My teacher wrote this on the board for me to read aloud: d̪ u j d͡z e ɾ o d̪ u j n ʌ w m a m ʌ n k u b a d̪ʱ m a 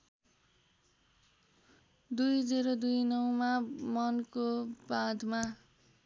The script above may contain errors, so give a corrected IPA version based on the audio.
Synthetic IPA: d̪ u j d͡z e ɾ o d̪ u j n ʌ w m a m ʌ n k o b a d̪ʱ m a